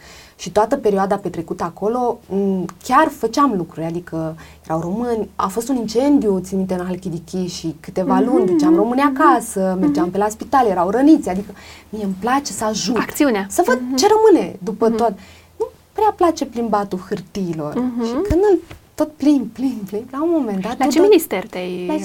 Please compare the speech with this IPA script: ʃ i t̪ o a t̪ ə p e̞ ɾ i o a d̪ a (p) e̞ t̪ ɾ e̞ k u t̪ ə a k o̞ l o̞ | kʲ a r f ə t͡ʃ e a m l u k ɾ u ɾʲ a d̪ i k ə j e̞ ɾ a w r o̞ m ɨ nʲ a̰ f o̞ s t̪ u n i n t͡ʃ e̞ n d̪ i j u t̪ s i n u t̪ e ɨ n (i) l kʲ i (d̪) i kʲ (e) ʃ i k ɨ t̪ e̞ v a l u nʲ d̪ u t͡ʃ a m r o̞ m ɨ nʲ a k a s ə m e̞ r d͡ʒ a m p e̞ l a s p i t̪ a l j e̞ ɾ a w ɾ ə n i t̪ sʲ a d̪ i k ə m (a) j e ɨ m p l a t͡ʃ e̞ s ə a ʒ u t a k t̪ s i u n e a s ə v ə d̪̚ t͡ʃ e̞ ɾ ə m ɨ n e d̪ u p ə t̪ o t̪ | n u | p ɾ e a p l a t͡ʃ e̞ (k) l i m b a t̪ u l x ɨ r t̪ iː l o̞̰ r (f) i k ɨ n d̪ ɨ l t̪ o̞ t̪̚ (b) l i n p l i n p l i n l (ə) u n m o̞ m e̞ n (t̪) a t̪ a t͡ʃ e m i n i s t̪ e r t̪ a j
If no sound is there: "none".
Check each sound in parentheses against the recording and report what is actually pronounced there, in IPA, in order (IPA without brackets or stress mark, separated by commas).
p, a, d̪, i, i, p, ʃ, p, a, d̪